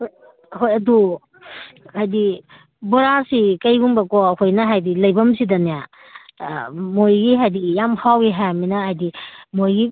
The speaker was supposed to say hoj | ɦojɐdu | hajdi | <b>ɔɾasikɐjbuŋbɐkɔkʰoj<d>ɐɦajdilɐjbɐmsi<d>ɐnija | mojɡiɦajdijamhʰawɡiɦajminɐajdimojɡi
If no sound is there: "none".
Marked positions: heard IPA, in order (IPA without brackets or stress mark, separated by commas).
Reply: b, n, d